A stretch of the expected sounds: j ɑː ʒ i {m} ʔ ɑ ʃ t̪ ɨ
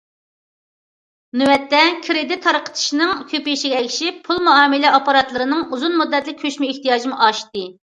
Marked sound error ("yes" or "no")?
no